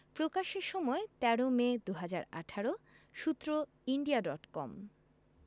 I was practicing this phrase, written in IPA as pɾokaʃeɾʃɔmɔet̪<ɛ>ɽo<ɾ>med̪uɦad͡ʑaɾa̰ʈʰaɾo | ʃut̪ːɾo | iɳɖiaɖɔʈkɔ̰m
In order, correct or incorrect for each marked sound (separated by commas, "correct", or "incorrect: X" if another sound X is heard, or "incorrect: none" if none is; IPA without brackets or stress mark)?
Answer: correct, incorrect: none